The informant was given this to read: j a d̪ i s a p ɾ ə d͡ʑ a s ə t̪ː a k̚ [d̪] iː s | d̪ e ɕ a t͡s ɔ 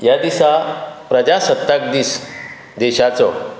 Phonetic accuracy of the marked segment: correct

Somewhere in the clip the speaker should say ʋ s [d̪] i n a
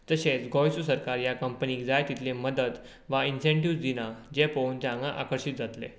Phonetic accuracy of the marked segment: correct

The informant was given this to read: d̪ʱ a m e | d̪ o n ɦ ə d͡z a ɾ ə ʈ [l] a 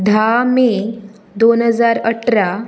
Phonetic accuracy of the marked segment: incorrect: ɾ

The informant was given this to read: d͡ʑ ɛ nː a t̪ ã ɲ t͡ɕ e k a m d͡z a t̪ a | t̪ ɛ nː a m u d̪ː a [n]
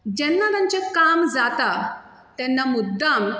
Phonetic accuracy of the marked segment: incorrect: m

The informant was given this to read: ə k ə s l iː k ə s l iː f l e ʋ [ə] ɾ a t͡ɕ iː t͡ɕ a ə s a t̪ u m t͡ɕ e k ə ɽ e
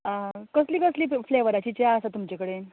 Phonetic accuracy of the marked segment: correct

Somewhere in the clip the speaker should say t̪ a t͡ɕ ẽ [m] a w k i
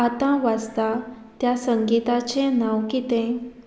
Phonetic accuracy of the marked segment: incorrect: n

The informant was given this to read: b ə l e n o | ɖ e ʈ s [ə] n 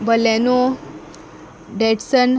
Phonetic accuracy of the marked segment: correct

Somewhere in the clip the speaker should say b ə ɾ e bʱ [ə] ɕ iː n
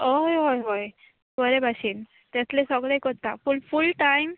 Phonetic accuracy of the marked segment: incorrect: a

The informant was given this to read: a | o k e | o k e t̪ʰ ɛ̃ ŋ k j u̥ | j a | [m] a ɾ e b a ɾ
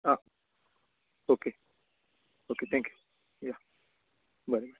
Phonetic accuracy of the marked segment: incorrect: b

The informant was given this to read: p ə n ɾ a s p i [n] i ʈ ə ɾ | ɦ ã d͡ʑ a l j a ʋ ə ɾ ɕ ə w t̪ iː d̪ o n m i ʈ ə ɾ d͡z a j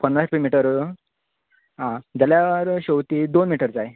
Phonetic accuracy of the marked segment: incorrect: m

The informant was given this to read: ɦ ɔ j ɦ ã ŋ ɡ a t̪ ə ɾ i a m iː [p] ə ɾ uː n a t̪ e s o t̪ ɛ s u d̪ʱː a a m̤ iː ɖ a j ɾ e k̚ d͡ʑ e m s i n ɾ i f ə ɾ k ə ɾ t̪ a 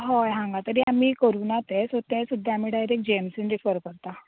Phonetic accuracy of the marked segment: incorrect: k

